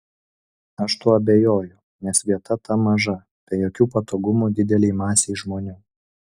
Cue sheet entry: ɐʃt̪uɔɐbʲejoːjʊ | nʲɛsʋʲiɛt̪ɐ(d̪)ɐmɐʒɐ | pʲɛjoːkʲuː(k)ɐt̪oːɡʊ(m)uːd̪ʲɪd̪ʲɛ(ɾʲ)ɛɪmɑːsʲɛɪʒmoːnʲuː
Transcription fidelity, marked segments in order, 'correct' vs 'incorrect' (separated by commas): incorrect, incorrect, correct, incorrect